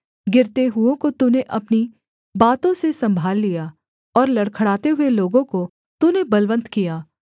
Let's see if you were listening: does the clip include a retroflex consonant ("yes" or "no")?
yes